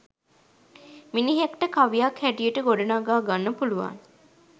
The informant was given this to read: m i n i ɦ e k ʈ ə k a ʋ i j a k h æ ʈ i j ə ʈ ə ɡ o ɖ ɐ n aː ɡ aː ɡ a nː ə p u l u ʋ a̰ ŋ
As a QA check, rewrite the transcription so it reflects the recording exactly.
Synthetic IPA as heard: m i n i ɦ e k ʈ ə k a ʋ i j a k h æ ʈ i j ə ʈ ə ɡ o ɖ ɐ n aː ɡ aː ɡ a nː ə p u l u ʋ a̰ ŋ